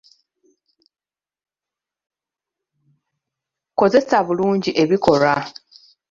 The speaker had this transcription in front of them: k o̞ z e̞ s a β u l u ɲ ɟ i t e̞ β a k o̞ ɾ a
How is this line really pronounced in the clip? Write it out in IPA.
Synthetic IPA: k o̞ z e̞ s a β u l uː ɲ ɟ i ʔ e̞ β i k o̞ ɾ a